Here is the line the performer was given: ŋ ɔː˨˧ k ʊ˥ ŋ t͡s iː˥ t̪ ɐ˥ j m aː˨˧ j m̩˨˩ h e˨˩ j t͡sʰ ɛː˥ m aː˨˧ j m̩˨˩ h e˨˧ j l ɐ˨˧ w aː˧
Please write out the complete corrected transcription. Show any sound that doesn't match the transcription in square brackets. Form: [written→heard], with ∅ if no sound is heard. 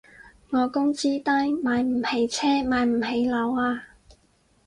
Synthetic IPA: ŋ ɔː˨˧ k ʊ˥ ŋ t͡s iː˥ t̪ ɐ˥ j m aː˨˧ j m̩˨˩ h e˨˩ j t͡sʰ ɛː˥ m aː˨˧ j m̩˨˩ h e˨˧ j l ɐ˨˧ w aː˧